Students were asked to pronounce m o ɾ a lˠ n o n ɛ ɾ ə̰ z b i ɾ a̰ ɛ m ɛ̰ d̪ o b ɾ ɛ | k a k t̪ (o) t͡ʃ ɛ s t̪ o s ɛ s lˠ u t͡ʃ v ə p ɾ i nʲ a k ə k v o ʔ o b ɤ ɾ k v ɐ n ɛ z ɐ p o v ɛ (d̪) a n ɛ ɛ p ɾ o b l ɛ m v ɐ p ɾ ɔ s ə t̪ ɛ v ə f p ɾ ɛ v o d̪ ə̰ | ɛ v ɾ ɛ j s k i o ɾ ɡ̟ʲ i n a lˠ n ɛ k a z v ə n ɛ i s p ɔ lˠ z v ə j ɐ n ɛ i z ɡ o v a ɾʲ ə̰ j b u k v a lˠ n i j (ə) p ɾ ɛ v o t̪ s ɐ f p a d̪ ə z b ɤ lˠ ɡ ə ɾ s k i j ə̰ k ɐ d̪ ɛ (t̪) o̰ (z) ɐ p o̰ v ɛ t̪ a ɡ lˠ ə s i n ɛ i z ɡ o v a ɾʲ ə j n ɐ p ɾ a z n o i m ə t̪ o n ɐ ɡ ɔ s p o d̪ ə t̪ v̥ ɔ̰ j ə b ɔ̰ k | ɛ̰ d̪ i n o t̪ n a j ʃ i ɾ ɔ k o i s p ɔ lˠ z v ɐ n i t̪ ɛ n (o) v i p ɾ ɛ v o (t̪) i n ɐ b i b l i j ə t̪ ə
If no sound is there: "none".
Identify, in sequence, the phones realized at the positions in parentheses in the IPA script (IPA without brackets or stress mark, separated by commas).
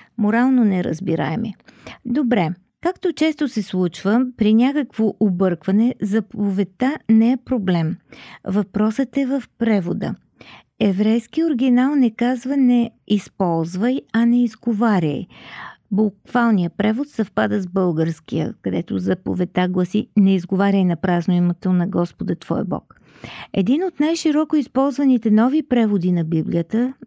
o, t̪, ə, t̪, z, ɔ, d̪